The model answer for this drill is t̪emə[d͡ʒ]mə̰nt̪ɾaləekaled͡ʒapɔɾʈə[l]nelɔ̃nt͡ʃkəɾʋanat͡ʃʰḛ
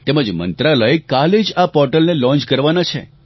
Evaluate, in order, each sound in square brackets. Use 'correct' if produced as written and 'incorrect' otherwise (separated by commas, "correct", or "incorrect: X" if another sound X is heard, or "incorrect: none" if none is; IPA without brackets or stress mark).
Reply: correct, correct